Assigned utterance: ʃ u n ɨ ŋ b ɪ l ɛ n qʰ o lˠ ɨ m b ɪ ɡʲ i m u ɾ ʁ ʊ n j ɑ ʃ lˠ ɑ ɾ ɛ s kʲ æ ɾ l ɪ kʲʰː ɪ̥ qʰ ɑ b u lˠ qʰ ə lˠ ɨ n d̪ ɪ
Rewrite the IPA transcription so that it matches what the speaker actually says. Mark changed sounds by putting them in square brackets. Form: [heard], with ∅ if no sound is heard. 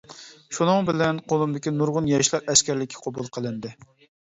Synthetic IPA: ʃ u n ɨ ŋ b ɪ l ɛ n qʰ o lˠ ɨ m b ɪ [kʲ] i [n] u ɾ ʁ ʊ n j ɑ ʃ lˠ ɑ ɾ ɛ s kʲ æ ɾ l ɪ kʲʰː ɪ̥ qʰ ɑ b u lˠ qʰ ə lˠ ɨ n d̪ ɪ

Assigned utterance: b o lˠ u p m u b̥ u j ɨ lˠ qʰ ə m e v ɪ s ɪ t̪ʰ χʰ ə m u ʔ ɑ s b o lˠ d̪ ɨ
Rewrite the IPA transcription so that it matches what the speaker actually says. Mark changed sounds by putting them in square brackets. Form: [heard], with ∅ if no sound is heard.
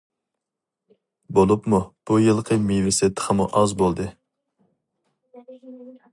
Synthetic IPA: b o lˠ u p m u b̥ u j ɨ lˠ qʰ ə m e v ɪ s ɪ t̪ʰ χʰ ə m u ʔ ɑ [z] b o lˠ d̪ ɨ

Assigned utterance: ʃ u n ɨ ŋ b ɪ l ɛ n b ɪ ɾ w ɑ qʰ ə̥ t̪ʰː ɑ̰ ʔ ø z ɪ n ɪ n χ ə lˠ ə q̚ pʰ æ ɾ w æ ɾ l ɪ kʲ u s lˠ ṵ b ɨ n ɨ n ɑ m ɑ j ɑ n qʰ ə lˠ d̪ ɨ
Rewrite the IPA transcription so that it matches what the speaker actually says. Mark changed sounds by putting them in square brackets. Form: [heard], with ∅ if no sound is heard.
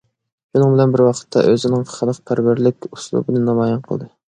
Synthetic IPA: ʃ u n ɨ ŋ b ɪ l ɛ n b ɪ ɾ w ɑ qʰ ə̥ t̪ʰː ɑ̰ ʔ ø z ɪ n ɪ [ŋ] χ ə lˠ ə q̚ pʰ æ ɾ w æ ɾ l ɪ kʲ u s lˠ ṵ b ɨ n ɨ n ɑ m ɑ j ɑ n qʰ ə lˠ d̪ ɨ

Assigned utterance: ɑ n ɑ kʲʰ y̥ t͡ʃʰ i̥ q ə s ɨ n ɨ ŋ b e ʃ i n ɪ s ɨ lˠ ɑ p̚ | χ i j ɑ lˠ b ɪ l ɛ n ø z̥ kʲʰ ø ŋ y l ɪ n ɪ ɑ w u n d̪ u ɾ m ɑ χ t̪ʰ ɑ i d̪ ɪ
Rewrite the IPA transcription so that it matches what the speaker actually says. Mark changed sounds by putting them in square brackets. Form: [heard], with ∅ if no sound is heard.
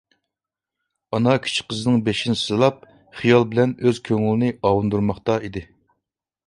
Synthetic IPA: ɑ n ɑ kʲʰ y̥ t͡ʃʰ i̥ q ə [z] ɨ n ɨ ŋ b e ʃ i n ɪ s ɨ lˠ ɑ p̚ | χ i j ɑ lˠ b ɪ l ɛ n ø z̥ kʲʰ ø ŋ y l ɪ n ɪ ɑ w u n d̪ u ɾ m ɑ χ [t̪] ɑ i d̪ ɪ

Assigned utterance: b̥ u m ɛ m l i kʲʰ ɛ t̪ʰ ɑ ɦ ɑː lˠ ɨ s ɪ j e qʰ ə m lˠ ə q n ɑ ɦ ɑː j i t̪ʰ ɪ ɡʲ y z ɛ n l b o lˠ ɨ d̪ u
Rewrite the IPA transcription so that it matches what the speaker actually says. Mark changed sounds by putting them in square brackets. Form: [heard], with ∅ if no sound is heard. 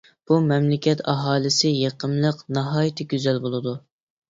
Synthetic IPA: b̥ u m ɛ m l [ɪ] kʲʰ ɛ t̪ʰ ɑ ɦ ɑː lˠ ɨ s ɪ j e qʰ ə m lˠ ə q n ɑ ɦ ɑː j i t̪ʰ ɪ ɡʲ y z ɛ [∅] l b o lˠ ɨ d̪ u

